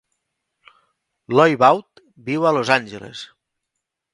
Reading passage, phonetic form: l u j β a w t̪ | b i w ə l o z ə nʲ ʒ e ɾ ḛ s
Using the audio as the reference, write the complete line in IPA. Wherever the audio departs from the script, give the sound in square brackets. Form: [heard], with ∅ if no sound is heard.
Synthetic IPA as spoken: l [ɔ] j β a w t̪ | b i w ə l o z [a] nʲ ʒ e [l] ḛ s